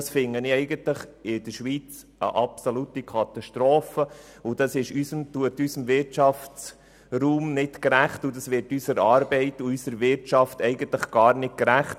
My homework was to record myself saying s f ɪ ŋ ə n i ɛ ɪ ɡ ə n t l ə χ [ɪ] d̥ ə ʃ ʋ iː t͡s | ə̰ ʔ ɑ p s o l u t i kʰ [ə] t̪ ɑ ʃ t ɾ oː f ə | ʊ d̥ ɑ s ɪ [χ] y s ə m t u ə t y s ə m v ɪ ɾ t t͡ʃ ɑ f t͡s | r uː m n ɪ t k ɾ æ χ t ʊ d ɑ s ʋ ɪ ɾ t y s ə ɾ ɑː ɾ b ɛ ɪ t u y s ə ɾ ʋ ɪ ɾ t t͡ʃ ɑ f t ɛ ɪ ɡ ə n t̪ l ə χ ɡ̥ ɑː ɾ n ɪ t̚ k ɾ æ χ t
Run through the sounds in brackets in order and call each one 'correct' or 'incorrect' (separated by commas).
correct, incorrect, incorrect